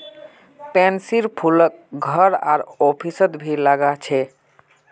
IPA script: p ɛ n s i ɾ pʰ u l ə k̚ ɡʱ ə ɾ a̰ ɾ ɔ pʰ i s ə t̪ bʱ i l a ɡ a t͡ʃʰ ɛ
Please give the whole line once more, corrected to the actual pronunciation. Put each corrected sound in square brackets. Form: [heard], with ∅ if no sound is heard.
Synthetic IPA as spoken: p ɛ n s i ɾ pʰ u l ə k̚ ɡʱ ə ɾ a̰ ɾ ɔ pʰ i s ə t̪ bʱ i l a ɡ a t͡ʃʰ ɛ